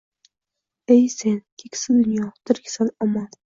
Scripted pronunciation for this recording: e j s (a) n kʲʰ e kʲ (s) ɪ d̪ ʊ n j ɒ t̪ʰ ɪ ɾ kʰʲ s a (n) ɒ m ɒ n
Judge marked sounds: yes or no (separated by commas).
no, yes, yes